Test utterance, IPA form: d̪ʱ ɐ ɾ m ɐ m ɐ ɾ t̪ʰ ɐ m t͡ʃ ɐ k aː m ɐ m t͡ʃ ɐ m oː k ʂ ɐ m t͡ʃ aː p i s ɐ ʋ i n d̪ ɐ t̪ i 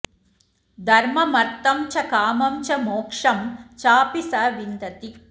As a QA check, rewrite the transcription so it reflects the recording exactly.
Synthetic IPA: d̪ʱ ɐ ɾ m ɐ m ɐ ɾ t̪ ɐ m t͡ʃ ɐ k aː m ɐ m t͡ʃ ɐ m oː k ʂ ɐ m t͡ʃ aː p i s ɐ ʋ i n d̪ ɐ t̪ i